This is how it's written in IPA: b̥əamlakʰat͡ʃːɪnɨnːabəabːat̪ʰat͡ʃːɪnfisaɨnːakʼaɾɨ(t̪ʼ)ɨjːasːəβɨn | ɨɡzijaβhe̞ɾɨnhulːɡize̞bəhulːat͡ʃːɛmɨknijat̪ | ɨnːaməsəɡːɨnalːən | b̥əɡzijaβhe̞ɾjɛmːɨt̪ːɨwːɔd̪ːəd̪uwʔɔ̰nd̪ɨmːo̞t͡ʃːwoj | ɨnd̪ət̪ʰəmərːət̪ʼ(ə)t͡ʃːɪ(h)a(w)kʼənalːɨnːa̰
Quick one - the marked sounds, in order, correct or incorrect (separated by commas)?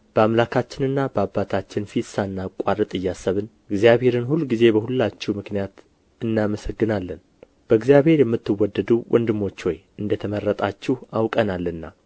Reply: correct, incorrect, correct, correct